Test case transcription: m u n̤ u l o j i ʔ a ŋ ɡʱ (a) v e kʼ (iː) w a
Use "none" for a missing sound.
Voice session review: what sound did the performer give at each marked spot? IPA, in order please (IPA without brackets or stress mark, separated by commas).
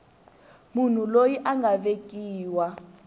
a, iː